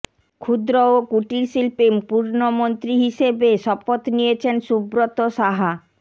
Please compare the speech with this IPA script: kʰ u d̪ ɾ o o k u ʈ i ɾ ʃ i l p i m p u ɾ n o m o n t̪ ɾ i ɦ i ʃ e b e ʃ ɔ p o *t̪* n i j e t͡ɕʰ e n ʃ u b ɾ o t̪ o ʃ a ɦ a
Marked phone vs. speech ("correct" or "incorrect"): correct